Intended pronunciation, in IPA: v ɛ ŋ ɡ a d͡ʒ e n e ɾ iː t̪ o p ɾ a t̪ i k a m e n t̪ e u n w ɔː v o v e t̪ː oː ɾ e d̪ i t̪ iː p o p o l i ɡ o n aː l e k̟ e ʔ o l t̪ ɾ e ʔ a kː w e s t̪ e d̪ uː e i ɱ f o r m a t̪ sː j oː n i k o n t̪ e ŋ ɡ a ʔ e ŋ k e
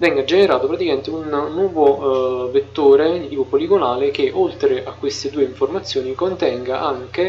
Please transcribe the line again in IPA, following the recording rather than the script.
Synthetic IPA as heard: v ɛ ŋ ɡ a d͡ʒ e n e ɾ aː t̪ o p ɾ a t̪ i k a m e n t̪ e u nː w ɔː v o v e t̪ː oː ɾ e d̪ i t̪ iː p o p o l i ɡ o n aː l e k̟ e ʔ o l t̪ ɾ e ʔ a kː w e s t̪ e d̪ uː e i ɱ f o r m a t̪ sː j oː n i k o n t̪ ɛ ŋ ɡ a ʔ a ŋ k e